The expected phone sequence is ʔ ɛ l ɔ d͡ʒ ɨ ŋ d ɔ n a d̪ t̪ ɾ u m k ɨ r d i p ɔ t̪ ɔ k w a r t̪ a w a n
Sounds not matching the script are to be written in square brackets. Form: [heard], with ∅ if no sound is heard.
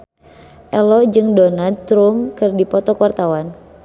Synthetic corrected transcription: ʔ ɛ l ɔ d͡ʒ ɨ ŋ d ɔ n a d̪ t̪ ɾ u m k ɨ r d i p ɔ t̪ ɔ k w a r t̪ a w a n